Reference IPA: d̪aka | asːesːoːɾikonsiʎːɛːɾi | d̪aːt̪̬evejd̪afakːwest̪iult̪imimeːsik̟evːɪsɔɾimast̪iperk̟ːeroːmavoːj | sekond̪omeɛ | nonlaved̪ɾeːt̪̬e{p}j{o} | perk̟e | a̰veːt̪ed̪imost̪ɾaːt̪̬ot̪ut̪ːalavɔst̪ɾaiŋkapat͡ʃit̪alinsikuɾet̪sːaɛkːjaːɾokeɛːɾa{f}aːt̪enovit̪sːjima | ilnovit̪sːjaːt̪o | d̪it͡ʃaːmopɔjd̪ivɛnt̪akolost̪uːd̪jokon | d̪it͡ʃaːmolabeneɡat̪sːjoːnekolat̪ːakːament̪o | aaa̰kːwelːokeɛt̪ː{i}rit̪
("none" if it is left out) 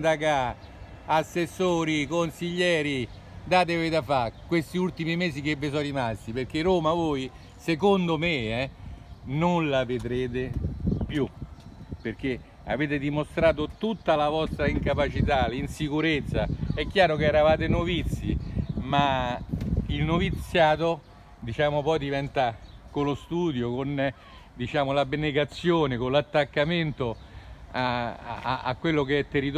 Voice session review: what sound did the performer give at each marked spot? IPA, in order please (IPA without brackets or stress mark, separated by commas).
p, u, v, e